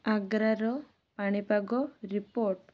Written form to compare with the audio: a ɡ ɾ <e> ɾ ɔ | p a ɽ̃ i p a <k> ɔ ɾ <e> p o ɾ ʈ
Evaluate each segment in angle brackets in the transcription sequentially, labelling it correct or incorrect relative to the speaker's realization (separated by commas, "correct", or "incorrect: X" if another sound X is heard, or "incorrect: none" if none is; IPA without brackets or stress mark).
incorrect: a, incorrect: ɡ, incorrect: i